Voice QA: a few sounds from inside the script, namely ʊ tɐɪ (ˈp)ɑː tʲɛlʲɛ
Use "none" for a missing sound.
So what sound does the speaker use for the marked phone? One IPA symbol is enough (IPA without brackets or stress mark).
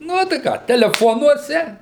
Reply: k